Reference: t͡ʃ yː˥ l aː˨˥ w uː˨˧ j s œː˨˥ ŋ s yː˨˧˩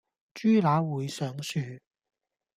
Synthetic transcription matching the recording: t͡ʃ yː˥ l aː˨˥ w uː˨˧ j s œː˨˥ ŋ s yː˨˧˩